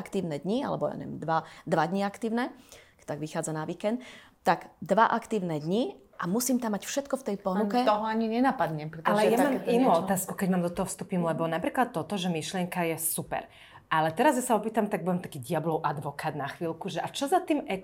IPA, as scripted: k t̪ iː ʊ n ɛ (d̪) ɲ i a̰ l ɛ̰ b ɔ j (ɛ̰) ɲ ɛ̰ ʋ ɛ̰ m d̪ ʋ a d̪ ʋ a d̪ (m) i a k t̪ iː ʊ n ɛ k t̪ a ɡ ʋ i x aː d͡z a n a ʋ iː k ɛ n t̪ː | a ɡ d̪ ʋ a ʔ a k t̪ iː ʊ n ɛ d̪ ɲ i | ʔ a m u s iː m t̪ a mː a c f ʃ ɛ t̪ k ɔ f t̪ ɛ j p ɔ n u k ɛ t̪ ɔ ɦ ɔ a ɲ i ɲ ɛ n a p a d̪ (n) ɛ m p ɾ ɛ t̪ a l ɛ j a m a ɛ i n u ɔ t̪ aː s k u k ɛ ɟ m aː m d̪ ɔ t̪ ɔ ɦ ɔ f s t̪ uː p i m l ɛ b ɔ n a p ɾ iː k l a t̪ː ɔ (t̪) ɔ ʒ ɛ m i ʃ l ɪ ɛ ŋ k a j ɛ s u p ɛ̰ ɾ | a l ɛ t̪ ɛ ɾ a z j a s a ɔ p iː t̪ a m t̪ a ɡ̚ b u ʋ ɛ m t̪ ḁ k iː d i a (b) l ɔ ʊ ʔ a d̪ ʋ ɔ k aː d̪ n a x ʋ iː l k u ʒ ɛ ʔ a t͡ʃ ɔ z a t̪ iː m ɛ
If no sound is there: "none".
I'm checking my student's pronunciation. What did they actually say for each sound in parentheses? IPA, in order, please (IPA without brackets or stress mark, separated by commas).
d̪, a̰, ɲ, ɲ, t̪, b